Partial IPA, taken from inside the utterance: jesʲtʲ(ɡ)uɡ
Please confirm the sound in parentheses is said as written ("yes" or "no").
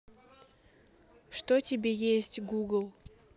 yes